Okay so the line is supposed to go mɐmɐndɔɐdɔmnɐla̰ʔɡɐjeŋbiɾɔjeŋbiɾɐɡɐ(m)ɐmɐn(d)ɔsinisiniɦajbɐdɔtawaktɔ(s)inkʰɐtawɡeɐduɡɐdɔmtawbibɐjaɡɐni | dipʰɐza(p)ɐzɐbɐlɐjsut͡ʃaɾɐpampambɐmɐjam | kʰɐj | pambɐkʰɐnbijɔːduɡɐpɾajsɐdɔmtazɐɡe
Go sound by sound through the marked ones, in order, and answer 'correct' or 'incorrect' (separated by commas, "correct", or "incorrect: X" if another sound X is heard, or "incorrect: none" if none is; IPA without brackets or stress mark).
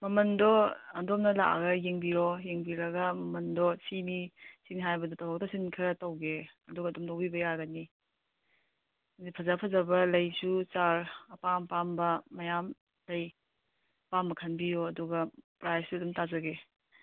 correct, correct, correct, incorrect: pʰ